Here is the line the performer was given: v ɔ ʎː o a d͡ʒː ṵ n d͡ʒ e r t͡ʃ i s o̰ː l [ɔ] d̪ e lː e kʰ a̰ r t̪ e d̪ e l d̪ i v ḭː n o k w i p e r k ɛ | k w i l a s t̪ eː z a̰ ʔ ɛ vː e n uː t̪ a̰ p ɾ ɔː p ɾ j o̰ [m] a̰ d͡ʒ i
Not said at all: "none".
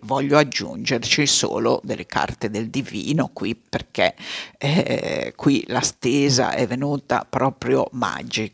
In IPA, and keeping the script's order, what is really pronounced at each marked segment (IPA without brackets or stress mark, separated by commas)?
o, m